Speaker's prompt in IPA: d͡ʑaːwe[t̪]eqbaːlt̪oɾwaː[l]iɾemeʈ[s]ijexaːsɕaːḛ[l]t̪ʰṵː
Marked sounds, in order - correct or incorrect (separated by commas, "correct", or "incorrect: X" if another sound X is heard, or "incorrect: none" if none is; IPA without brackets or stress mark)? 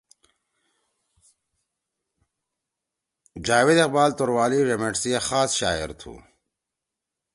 incorrect: d̪, correct, correct, incorrect: ɾ